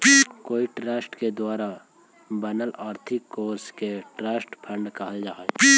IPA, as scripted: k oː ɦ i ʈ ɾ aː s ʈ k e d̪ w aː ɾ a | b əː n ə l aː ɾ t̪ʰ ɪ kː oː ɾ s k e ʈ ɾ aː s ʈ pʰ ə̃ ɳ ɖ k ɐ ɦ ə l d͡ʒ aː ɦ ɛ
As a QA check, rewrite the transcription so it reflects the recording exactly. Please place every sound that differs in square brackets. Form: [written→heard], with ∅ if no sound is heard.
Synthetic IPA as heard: k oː [ɦ→∅] i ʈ ɾ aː s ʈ k e d̪ w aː ɾ a | b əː n ə l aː ɾ t̪ʰ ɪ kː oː ɾ s k e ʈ ɾ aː s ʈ pʰ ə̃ ɳ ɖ k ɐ ɦ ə l d͡ʒ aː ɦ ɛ

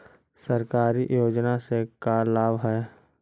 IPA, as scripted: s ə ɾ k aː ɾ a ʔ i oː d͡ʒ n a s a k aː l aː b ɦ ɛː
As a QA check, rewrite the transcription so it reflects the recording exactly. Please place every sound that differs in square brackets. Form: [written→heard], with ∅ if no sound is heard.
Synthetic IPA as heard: s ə ɾ k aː ɾ [a→i] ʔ [i→j] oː d͡ʒ n a s [a→e] k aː l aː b ɦ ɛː

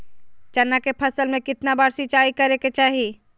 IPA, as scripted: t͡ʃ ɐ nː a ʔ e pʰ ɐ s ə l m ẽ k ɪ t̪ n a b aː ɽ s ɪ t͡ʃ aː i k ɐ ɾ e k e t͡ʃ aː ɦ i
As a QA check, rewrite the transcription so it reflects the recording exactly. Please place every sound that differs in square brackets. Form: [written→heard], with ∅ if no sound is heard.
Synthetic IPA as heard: t͡ʃ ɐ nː a [ʔ→k] e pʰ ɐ s ə l m ẽ k ɪ t̪ n a b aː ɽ s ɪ t͡ʃ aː i k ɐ ɾ e k e t͡ʃ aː ɦ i

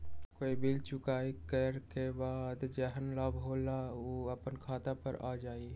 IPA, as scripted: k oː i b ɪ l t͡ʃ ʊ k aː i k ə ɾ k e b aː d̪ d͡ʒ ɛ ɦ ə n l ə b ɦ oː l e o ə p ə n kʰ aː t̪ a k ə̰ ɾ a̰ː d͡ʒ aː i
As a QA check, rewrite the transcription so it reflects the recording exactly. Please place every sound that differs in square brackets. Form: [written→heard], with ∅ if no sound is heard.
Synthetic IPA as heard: k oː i b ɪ l t͡ʃ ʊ k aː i k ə ɾ k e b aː d̪ d͡ʒ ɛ ɦ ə n l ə b ɦ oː l [e→a] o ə p ə n kʰ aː t̪ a [k→p] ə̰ ɾ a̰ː d͡ʒ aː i

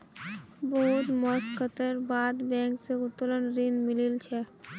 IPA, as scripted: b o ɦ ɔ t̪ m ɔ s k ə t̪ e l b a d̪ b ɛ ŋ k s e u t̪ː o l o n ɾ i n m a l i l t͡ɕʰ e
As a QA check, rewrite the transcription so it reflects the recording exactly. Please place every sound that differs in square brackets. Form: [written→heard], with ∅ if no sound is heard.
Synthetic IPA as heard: b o ɦ [ɔ→u] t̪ m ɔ s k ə t̪ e [l→ɾ] b a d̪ b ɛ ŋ k s e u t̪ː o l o n ɾ i n m [a→i] l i l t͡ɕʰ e

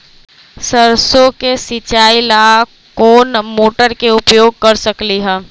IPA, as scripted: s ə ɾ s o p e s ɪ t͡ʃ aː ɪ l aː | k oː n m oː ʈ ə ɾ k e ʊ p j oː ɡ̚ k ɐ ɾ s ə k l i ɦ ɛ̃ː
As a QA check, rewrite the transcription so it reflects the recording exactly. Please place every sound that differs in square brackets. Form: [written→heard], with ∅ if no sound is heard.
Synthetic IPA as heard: s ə ɾ s o [p→k] e s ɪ t͡ʃ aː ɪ l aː | k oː n m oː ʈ ə ɾ k e ʊ p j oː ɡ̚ k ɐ ɾ s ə k l i ɦ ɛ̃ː

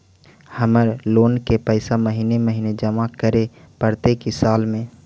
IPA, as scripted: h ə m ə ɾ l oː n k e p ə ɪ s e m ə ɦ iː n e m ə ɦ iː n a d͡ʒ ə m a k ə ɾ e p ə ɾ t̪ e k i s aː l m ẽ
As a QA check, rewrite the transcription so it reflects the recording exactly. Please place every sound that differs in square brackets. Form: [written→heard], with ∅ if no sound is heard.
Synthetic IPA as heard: h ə m ə ɾ l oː n k e p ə ɪ s [e→a] m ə ɦ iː n e m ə ɦ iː n [a→e] d͡ʒ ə m a k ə ɾ e p ə ɾ t̪ e k i s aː l m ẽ

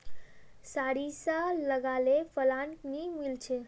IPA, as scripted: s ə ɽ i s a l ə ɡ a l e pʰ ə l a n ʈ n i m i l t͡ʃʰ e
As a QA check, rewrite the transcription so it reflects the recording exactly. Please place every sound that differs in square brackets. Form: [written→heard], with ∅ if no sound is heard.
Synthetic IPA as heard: s [ə→a] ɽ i s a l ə ɡ a l e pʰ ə l a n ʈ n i m i l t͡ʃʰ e

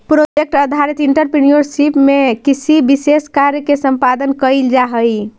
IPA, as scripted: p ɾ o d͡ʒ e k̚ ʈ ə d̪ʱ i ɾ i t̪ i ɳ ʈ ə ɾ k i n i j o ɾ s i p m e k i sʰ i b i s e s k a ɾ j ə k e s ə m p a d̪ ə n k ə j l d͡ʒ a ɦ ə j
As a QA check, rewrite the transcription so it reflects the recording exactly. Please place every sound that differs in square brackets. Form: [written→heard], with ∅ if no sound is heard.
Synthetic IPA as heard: p ɾ o d͡ʒ e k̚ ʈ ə d̪ʱ [i→a] ɾ i t̪ i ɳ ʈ ə ɾ [k→p] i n i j o ɾ s i p m e k i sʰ i b i s e s k a ɾ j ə k e s ə m p a d̪ ə n k ə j l d͡ʒ a ɦ ə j

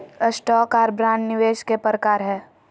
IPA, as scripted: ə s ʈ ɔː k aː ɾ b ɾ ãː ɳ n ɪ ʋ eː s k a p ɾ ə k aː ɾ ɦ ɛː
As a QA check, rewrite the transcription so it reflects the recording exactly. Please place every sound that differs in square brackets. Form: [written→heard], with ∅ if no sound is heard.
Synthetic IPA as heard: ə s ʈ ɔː k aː ɾ b ɾ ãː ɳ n ɪ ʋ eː [s→ʃ] k [a→e] p ɾ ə k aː ɾ ɦ ɛː

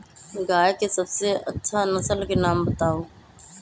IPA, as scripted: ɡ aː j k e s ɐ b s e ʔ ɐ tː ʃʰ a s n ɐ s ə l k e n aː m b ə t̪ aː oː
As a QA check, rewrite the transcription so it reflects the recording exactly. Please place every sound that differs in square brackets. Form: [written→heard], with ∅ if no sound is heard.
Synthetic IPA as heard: ɡ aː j k e s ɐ b s e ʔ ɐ tː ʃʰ a [s→∅] n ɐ s ə l k e n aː m b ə t̪ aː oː

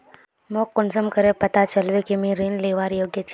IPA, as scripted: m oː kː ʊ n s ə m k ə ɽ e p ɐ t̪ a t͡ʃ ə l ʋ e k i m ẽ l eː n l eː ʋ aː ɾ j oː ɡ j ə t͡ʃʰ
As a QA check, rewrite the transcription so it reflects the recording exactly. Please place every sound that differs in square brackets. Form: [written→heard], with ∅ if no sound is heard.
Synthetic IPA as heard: m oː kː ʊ n s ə m k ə [ɽ→ɾ] e p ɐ t̪ a t͡ʃ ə l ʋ e k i m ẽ [l→ɾ] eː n l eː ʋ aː ɾ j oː ɡ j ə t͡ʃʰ

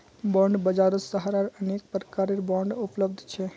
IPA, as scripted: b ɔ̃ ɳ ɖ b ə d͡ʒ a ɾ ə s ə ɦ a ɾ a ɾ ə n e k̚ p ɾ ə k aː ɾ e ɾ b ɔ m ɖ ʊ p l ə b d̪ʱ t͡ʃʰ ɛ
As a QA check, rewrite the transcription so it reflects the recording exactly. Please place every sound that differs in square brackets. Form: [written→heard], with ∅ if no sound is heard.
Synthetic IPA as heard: b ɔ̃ ɳ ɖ b ə d͡ʒ a ɾ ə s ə ɦ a ɾ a ɾ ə n e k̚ p ɾ ə k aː ɾ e ɾ b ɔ [m→ɳ] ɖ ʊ p l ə b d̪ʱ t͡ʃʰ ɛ

